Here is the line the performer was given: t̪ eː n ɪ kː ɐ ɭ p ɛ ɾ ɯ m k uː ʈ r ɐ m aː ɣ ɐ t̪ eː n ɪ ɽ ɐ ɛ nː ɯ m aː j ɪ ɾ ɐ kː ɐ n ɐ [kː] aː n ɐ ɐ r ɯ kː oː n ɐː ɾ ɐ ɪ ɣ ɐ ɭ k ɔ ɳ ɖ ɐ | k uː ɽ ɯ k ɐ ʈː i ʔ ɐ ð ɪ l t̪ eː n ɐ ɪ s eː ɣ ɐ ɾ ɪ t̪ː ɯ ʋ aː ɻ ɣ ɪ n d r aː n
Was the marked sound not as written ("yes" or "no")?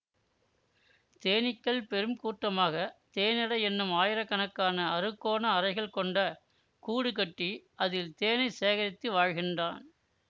no